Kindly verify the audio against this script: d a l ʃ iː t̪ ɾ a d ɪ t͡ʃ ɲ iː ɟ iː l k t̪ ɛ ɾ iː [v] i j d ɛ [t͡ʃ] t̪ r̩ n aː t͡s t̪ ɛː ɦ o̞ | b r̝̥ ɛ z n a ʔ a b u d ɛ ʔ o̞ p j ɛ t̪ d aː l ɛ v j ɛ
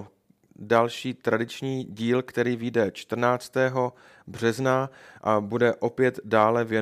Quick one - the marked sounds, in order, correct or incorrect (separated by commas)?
correct, correct